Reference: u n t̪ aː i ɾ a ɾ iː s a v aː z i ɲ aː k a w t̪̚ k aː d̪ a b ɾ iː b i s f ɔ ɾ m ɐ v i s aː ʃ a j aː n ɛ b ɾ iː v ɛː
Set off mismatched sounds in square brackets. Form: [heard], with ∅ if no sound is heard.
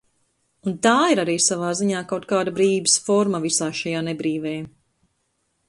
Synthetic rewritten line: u n t̪ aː i ɾ a ɾ iː s a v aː z i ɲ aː k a w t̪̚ k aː d̪ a b ɾ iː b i s f ɔ ɾ m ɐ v i s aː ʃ a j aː n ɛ b ɾ iː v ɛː